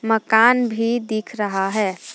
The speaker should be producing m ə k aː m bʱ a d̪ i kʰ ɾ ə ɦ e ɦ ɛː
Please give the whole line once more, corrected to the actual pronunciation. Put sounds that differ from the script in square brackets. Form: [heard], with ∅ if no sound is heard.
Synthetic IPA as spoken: m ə k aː [n] bʱ [i] d̪ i kʰ ɾ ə ɦ [a] ɦ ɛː